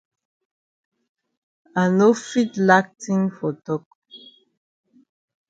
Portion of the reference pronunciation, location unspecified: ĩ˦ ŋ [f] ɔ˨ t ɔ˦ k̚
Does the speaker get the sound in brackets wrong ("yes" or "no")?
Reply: no